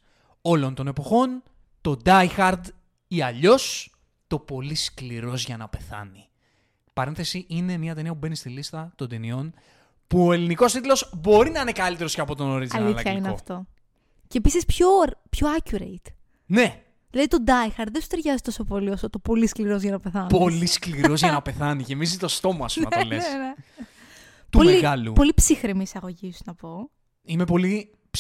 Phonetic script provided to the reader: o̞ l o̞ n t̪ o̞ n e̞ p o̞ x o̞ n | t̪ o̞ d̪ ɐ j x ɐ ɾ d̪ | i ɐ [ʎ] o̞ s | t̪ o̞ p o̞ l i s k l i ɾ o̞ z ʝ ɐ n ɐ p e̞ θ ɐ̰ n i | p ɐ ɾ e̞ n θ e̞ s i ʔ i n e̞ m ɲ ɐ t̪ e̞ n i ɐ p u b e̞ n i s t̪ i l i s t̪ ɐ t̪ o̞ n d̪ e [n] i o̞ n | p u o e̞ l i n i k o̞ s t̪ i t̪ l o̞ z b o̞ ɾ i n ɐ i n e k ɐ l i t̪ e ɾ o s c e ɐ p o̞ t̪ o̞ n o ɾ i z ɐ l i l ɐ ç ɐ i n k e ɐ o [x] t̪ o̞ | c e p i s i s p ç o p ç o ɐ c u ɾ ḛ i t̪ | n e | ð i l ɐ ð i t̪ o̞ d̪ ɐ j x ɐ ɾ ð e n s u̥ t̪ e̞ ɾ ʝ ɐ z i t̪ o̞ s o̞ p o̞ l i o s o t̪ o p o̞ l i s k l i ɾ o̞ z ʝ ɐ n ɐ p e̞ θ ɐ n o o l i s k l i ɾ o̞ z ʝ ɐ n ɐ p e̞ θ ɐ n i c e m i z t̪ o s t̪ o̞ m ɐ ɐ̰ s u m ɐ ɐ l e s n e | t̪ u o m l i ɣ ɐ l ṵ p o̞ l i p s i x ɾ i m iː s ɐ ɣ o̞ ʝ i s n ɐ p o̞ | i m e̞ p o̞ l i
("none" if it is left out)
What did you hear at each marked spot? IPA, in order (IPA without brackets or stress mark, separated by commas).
ʎ, n, f